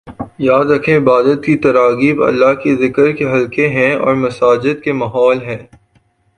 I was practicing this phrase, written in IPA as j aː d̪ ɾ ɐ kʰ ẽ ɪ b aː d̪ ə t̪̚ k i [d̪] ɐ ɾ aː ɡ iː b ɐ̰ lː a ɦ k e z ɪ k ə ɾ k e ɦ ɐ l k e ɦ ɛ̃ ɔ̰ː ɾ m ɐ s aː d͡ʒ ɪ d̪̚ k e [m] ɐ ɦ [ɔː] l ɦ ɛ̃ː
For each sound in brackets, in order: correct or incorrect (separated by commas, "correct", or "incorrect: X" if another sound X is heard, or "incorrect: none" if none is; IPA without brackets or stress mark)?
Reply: incorrect: t̪, correct, correct